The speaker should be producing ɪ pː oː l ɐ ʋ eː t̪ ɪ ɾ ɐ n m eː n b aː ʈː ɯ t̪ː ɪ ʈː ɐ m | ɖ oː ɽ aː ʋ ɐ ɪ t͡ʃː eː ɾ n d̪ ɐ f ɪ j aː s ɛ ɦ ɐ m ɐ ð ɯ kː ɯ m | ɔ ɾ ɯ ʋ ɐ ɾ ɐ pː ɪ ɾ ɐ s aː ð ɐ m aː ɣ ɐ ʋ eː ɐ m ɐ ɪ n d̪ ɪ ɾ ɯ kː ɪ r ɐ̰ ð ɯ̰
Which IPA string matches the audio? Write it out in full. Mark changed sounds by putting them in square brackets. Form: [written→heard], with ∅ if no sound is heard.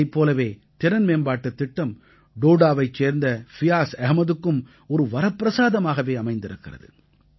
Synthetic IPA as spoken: ɪ pː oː l ɐ ʋ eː t̪ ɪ ɾ ɐ n m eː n b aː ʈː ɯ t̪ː ɪ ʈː ɐ m | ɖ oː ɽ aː ʋ ɐ ɪ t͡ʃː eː ɾ n d̪ ɐ f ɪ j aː s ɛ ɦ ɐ m ɐ ð ɯ kː ɯ m | ɔ ɾ ɯ ʋ ɐ ɾ ɐ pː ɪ ɾ ɐ s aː ð ɐ m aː ɣ ɐ ʋ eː ɐ m ɐ ɪ n d̪ ɪ ɾ ɯ kː ɪ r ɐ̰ ð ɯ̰

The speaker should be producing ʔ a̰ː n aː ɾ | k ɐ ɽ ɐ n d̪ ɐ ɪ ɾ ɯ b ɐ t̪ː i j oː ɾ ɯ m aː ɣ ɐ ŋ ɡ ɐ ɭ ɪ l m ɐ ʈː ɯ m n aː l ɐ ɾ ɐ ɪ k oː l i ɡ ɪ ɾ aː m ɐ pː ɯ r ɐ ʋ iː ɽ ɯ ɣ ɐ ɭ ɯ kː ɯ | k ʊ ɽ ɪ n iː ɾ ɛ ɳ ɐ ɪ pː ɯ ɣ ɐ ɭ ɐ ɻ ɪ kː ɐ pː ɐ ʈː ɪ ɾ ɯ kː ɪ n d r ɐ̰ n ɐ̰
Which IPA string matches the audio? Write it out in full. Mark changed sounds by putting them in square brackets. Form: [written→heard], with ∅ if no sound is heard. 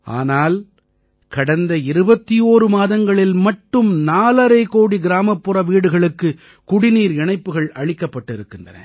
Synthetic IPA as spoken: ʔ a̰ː n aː [ɾ→l] | k ɐ ɽ ɐ n d̪ ɐ ɪ ɾ ɯ b ɐ t̪ː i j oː ɾ ɯ m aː [ɣ→ð] ɐ ŋ ɡ ɐ ɭ ɪ l m ɐ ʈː ɯ m n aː l ɐ ɾ ɐ ɪ k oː [l→ɽ] i ɡ ɪ ɾ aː m ɐ pː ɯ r ɐ ʋ iː ɽ ɯ ɣ ɐ ɭ ɯ kː ɯ | k ʊ ɽ ɪ n iː ɾ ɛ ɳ ɐ ɪ pː ɯ ɣ ɐ ɭ ɐ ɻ ɪ kː ɐ pː ɐ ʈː ɪ ɾ ɯ kː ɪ n d r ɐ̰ n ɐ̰

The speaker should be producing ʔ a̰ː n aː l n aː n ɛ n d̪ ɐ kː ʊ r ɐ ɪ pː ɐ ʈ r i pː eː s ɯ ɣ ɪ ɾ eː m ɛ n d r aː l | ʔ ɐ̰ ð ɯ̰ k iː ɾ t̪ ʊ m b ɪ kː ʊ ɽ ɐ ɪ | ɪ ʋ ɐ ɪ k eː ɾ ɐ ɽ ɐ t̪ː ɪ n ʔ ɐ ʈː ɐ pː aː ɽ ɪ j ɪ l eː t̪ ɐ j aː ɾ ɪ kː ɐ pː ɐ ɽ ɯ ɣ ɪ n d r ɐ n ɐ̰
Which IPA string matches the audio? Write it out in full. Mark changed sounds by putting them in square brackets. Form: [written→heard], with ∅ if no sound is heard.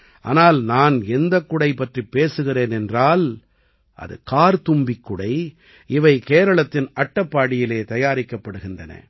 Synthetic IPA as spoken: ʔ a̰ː n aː l n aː n ɛ n d̪ ɐ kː ʊ [r→ɽ] ɐ ɪ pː ɐ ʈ r i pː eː s ɯ ɣ ɪ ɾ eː [m→n] ɛ n d r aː l | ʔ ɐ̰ ð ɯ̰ k [iː→aː] ɾ t̪ ʊ m b ɪ kː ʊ ɽ ɐ ɪ | ɪ ʋ ɐ ɪ k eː ɾ ɐ [ɽ→ɭ] ɐ t̪ː ɪ n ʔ ɐ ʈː ɐ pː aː ɽ ɪ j ɪ l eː t̪ ɐ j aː ɾ ɪ kː ɐ pː ɐ ɽ ɯ ɣ ɪ n d r ɐ n ɐ̰

